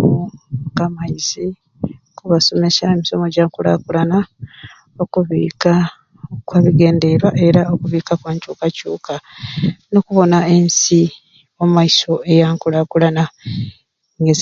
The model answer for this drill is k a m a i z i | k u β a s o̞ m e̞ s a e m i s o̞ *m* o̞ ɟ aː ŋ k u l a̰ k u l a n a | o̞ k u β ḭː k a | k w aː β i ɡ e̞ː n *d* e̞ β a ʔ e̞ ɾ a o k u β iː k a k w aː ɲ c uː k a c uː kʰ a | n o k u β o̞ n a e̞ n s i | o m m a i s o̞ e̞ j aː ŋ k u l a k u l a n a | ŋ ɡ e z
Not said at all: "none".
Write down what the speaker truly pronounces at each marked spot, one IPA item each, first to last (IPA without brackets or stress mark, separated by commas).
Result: m, d